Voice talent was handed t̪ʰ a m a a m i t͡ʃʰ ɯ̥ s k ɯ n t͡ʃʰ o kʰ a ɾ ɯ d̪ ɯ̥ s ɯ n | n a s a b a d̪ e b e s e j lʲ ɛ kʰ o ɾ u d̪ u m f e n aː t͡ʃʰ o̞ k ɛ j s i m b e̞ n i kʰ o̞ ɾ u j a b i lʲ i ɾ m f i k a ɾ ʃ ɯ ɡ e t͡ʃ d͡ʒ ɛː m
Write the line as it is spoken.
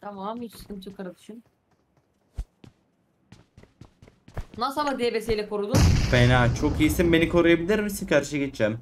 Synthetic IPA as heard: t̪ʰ a m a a m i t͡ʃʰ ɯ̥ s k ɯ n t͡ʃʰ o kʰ a ɾ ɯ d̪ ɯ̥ ʃ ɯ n | n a s a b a d̪ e b e s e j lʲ ɛ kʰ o ɾ u d̪ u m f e n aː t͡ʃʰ o̞ k i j s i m b e̞ n i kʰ o̞ ɾ u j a b i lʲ i ɾ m s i k a ɾ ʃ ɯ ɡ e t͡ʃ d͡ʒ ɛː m